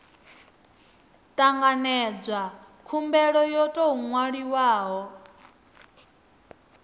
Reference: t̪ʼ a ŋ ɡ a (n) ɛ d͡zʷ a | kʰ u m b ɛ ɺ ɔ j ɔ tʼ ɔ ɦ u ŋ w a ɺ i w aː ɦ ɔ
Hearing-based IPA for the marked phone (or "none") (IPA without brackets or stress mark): n